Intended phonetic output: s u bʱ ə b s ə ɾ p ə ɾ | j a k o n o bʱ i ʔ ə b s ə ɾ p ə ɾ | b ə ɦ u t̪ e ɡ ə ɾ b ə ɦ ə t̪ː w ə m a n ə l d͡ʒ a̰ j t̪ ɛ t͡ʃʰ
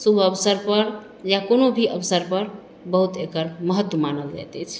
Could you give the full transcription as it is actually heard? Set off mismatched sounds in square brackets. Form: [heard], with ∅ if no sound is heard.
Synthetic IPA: s u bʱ ə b s ə ɾ p ə ɾ | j a k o n o bʱ i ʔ ə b s ə ɾ p ə ɾ | b ə ɦ u t̪ e [k] ə ɾ [m] ə ɦ ə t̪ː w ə m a n ə l d͡ʒ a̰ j t̪ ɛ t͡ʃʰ